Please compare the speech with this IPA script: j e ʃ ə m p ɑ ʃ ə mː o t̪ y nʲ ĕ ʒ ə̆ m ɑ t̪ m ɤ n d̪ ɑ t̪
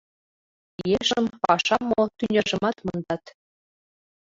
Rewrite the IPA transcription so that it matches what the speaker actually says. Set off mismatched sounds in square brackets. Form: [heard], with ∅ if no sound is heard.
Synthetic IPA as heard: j e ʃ ə m p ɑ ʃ [ɑ] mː o t̪ y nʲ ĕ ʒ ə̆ m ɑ t̪ m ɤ n d̪ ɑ t̪